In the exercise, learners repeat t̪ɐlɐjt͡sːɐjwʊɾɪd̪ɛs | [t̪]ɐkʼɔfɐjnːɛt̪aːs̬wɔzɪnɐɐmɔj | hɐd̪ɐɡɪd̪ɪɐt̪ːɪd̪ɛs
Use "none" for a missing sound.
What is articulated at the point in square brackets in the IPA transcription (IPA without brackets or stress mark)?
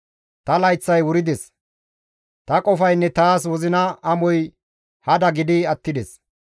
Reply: t̪